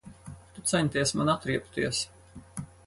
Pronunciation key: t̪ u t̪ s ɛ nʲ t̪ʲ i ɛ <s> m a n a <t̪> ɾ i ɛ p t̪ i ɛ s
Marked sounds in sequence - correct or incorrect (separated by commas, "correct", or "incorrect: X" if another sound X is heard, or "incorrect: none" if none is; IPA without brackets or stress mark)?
correct, correct